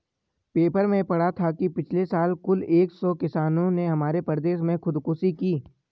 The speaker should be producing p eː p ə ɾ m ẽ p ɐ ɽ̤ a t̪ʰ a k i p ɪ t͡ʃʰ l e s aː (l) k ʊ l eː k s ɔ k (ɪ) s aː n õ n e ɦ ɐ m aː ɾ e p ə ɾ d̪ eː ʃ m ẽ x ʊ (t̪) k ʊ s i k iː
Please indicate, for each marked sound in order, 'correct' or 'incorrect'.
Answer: correct, correct, incorrect

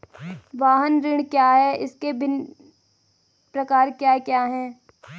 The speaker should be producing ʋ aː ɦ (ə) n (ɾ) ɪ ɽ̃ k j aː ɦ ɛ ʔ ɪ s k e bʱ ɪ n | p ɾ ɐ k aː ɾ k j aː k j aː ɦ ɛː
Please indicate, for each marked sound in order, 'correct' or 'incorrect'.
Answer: correct, correct

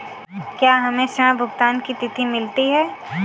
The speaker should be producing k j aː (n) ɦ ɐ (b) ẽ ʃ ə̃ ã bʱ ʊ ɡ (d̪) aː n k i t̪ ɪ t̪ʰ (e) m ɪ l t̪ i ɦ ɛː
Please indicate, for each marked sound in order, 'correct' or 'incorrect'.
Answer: incorrect, incorrect, incorrect, incorrect

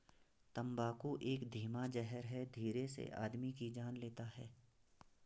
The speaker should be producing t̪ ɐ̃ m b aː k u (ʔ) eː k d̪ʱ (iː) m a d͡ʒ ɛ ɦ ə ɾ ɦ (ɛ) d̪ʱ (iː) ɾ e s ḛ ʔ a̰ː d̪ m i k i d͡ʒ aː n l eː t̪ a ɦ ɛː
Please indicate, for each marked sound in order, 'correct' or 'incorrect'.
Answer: correct, correct, correct, correct

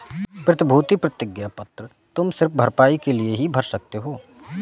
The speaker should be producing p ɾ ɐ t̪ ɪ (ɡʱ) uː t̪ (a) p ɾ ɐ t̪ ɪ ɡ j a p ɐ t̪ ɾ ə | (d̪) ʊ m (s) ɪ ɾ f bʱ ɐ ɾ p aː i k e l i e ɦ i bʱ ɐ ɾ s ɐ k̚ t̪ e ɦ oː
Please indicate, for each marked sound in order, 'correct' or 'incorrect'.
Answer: incorrect, incorrect, incorrect, correct

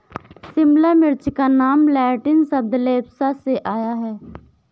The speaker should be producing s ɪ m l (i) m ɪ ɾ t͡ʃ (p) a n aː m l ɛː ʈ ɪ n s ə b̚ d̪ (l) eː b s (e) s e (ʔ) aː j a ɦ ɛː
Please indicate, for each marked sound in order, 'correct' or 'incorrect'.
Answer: incorrect, incorrect, correct, incorrect, correct

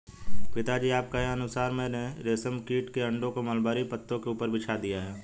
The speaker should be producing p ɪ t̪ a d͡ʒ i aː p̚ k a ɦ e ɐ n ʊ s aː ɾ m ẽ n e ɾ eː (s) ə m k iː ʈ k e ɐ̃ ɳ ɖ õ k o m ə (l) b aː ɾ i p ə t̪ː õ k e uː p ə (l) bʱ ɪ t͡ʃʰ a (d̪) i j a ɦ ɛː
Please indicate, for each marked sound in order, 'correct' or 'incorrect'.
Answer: correct, correct, incorrect, correct

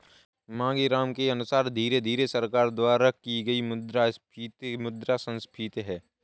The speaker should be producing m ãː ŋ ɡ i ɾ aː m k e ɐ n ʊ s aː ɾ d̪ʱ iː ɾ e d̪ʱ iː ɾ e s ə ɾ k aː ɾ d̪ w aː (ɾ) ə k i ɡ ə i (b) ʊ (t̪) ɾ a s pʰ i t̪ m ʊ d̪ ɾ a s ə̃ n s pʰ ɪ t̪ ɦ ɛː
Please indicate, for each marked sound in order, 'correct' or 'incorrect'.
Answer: correct, incorrect, incorrect

